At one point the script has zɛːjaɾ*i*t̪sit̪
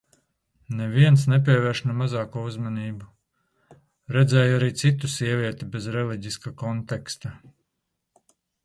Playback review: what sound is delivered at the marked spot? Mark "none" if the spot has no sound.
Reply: iː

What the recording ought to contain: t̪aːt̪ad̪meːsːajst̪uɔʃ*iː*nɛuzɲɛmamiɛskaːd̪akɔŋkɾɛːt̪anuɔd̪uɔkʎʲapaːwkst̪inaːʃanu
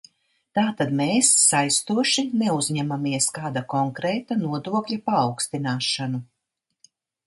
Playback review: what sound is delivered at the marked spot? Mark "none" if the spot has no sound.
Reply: i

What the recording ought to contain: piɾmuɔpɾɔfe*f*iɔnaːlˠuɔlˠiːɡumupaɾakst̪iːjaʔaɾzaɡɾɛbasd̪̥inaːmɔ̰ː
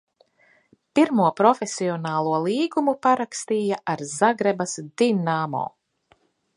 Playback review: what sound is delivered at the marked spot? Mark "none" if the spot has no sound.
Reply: s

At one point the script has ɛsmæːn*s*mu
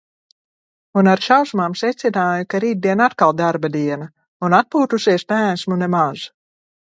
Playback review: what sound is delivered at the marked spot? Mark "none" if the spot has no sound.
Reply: s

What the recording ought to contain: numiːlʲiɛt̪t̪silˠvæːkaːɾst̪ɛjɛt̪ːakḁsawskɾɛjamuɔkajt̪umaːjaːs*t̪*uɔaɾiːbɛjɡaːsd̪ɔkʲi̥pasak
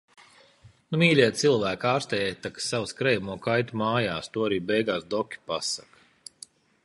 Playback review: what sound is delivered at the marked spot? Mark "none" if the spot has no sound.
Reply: t̪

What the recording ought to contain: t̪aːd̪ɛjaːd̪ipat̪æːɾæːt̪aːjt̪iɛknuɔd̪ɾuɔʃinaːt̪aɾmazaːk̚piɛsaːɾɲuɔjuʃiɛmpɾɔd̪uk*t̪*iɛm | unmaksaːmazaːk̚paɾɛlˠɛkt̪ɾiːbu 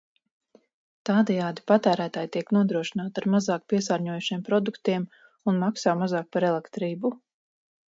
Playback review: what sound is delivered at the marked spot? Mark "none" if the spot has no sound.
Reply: t̪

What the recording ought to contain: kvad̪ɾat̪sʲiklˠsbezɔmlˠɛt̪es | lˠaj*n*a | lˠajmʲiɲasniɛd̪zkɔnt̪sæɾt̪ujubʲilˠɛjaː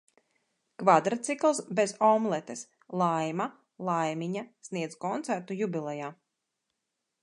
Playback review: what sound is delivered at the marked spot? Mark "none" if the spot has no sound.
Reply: m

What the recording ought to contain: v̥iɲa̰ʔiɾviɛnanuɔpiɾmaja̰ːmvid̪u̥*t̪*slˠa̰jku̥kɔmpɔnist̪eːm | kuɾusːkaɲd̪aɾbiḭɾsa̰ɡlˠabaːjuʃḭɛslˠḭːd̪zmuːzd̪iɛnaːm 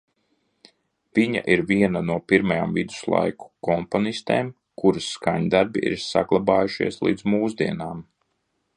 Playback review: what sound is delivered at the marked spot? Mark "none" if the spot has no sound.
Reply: none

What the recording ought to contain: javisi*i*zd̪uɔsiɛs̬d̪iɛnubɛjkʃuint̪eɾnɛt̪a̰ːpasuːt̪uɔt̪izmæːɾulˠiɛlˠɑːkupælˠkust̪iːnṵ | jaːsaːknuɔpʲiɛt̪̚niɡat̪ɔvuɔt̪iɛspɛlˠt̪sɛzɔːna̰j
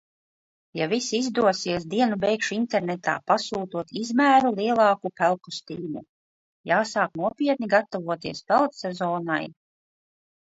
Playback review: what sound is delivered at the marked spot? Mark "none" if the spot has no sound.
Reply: i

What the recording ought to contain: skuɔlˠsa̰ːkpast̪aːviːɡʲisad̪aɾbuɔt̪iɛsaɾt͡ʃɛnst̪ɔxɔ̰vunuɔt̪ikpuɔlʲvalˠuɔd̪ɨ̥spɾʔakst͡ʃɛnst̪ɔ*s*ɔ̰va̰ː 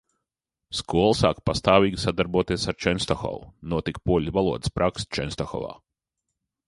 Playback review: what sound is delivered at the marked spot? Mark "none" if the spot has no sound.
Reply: x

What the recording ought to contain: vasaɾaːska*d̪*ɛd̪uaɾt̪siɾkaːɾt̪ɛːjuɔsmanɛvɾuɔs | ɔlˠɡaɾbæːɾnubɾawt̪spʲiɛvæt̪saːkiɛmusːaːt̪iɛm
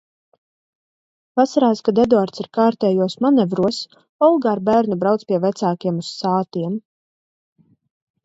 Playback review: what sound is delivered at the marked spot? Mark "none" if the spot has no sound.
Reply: d̪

